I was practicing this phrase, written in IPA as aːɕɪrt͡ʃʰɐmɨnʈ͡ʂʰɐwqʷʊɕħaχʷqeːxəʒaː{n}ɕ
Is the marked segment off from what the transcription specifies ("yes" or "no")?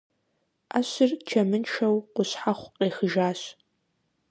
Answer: yes